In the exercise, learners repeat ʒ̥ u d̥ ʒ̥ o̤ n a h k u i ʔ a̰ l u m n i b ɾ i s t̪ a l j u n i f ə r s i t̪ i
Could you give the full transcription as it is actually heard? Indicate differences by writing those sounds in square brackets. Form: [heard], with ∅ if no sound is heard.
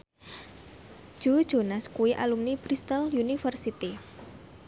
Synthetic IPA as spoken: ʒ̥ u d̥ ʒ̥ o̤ n a [s] k u i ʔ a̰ l u m n i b ɾ i s t̪ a l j u n i f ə r s i t̪ i